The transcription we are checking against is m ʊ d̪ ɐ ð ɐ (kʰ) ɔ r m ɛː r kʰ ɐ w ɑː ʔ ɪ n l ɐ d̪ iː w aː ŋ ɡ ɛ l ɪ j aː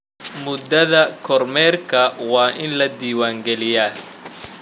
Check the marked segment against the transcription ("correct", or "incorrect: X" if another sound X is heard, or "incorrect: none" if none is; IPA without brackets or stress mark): correct